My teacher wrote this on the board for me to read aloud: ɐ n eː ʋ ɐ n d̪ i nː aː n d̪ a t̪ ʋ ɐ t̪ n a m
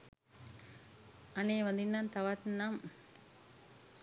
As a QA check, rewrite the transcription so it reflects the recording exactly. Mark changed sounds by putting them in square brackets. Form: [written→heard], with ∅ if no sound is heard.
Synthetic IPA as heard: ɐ n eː ʋ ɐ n d̪ i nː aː n [d̪→t̪] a [t̪→∅] ʋ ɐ t̪ n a m